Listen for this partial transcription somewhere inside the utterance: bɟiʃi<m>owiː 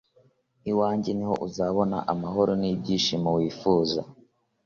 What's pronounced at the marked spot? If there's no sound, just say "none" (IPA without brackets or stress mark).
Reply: m